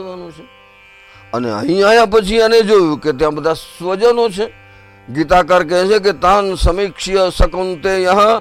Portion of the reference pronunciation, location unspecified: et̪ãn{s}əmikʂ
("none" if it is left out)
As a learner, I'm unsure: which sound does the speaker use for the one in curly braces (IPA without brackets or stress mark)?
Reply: s